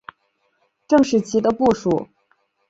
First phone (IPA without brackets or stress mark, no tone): ʈ͡ʂ